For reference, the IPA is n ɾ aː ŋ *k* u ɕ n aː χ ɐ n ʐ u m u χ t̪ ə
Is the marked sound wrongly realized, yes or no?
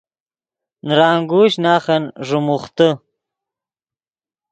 yes